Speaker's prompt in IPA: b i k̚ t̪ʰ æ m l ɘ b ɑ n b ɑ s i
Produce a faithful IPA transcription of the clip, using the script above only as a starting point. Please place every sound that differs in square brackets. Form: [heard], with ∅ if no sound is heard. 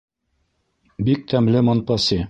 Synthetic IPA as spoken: b i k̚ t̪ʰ æ m l ɘ [m] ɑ n [p] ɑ s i